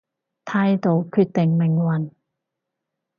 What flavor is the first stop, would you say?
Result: aspirated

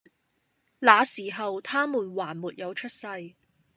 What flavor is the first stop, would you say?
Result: aspirated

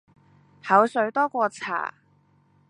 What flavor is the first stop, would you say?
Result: plain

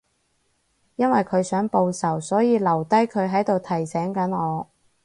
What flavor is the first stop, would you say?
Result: aspirated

